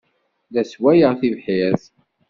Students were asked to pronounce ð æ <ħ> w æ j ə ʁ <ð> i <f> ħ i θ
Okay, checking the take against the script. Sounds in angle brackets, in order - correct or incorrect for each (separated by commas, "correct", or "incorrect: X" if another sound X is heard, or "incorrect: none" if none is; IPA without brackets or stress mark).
incorrect: s, incorrect: θ, incorrect: v